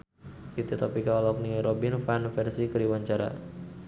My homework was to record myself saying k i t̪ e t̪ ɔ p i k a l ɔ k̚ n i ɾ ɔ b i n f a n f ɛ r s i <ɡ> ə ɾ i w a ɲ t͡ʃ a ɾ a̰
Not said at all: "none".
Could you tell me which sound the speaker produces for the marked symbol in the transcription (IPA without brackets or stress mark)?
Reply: k